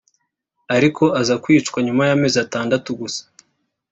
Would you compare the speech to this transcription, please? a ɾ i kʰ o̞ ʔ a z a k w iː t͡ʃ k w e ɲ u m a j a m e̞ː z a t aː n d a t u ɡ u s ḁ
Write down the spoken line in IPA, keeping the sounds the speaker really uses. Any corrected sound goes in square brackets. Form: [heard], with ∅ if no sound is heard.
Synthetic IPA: a ɾ i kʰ o̞ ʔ a z a k w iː t͡ʃ k w [a] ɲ u m a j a m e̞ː z a t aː n d a t u ɡ u s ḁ